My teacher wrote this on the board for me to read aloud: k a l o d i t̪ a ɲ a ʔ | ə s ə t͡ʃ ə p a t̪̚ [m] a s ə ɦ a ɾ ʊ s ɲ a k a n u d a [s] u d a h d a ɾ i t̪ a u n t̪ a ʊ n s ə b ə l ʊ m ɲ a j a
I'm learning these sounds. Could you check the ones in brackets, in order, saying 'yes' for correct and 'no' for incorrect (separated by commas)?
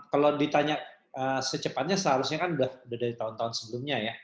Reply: no, no